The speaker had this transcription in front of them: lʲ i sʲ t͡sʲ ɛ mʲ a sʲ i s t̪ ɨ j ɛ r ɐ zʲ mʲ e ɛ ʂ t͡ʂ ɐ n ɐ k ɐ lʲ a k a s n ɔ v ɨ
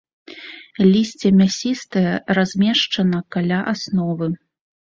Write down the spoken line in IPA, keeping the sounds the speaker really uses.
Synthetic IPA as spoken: lʲ i sʲ t͡sʲ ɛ mʲ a sʲ i s t̪ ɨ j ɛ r a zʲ mʲ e ɛ ʂ t͡ʂ ɐ n ɐ k a lʲ a ʔ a s n ɔ v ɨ

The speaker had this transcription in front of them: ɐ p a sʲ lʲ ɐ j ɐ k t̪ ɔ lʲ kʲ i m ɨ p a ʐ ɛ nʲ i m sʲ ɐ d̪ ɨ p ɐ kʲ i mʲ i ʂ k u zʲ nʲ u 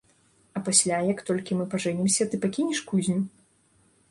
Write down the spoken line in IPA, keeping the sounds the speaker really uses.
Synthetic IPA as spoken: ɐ p a sʲ lʲ a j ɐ k t̪ ɔ lʲ kʲ i m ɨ p a ʐ ɛ nʲ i m sʲ ɐ t̪ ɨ p a kʲ i nʲ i ʂ k u zʲ nʲ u

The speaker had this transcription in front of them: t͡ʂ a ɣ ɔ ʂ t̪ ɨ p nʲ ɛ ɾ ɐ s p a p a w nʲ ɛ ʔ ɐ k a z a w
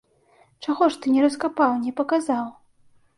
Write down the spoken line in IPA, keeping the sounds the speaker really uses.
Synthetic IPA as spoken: t͡ʂ a ɣ ɔ ʂ t̪ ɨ nʲ ɛ ɾ ɐ s k a p a w nʲ ɛ p ɐ k a z a w

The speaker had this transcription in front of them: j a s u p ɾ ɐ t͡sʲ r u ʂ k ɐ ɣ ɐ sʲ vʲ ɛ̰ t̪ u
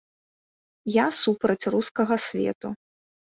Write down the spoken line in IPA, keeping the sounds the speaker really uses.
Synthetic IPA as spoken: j a s u p ɾ ɐ t͡sʲ r u s k ɐ ɣ ɐ sʲ vʲ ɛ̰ t̪ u

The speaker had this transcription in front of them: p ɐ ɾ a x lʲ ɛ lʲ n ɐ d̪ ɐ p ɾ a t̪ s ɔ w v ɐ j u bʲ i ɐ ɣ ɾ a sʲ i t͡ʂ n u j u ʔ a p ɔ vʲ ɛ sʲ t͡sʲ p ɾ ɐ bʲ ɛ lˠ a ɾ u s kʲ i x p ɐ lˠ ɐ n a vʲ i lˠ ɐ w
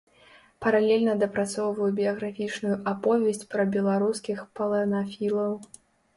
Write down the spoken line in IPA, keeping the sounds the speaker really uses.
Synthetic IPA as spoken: p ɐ ɾ a lʲ ɛ lʲ n ɐ d̪ ɐ p ɾ a t̪ s ɔ w v ɐ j u bʲ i ɐ ɣ ɾ a fʲ i t͡ʂ n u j u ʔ a p ɔ vʲ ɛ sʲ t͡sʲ p ɾ ɐ bʲ ɛ lˠ a ɾ u s kʲ i x p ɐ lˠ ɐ n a fʲ i lˠ ɐ w

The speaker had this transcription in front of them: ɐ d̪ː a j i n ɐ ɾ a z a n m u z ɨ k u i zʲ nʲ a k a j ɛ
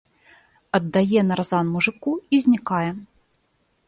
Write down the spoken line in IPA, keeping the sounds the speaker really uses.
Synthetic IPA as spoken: ɐ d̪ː a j ɛ n ɐ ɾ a z a n m u ʐ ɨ k u i zʲ nʲ i k a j ɛ

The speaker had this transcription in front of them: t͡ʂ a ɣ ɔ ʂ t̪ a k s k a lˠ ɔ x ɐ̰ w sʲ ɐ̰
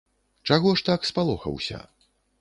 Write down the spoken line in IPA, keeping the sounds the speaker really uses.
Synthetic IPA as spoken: t͡ʂ a ɣ ɔ ʂ t̪ a k s p a lˠ ɔ x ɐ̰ w sʲ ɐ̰

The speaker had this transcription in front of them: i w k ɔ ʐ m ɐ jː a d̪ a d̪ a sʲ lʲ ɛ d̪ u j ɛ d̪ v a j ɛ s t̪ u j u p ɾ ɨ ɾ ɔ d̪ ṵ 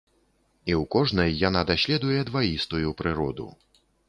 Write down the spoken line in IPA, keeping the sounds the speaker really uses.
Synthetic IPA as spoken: i w k ɔ ʐ n ɐ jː a n̪ a d̪ a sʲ lʲ ɛ d̪ u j ɛ d̪ v a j i s t̪ u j u p ɾ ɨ ɾ ɔ d̪ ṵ

